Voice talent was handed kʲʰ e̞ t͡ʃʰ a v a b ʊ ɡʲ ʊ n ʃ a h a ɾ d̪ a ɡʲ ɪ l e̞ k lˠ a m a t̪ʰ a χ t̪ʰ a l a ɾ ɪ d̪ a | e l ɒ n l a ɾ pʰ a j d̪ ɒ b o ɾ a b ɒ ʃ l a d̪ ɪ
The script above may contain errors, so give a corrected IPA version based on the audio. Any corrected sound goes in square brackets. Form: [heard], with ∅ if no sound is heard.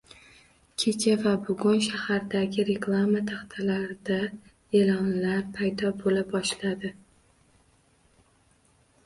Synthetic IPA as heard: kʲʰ e̞ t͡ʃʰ a v a b ʊ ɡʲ ʊ n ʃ a h a ɾ d̪ a ɡʲ ɪ [ɾ] e̞ k lˠ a m a t̪ʰ a χ t̪ʰ a l a ɾ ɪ d̪ a | e l ɒ n l a ɾ pʰ a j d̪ ɒ b o [l] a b ɒ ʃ l a d̪ ɪ